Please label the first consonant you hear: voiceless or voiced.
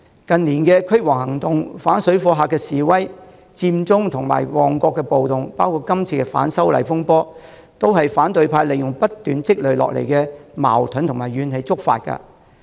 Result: voiceless